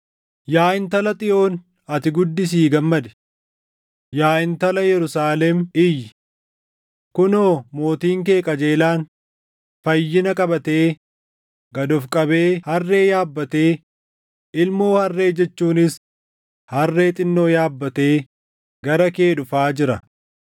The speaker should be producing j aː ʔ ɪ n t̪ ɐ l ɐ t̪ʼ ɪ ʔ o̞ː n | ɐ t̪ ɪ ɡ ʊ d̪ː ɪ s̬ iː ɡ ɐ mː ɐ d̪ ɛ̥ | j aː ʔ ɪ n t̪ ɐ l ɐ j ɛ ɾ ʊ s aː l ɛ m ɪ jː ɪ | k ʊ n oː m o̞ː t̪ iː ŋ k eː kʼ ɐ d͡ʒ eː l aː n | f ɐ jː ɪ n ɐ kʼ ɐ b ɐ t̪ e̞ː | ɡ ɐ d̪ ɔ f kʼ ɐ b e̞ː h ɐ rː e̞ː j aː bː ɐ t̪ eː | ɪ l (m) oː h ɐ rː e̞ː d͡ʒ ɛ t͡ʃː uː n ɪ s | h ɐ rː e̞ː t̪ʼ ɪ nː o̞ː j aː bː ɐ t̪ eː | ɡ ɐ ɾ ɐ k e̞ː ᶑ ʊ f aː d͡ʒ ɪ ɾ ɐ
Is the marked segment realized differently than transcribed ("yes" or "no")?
no